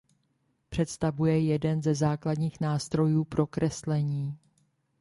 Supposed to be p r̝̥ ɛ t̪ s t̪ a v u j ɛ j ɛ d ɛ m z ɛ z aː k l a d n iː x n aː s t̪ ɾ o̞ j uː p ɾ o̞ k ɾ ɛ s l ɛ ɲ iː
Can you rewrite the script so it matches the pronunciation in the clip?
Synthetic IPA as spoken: p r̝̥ ɛ t̪ s t̪ a v u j ɛ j ɛ d ɛ n z ɛ z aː k l a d ɲ iː x n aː s t̪ ɾ o̞ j uː p ɾ o̞ k ɾ ɛ s l ɛ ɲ iː